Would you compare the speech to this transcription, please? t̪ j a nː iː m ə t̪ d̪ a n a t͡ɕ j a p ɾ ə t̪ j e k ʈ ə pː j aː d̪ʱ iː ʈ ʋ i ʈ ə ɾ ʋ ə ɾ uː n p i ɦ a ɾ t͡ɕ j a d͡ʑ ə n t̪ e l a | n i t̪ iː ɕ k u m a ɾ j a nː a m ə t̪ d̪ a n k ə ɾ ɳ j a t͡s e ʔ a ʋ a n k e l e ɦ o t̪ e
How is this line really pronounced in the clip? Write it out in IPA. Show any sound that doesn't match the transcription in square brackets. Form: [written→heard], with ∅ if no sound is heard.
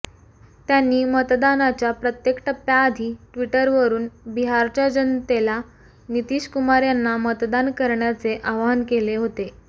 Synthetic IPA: t̪ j a nː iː m ə t̪ d̪ a n a t͡ɕ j a p ɾ ə t̪ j e k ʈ ə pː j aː d̪ʱ iː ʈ ʋ i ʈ ə ɾ ʋ ə ɾ uː n [p→b] i ɦ a ɾ t͡ɕ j a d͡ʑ ə n t̪ e l a | n i t̪ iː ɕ k u m a ɾ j a nː a m ə t̪ d̪ a n k ə ɾ ɳ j a t͡s e ʔ a ʋ a n k e l e ɦ o t̪ e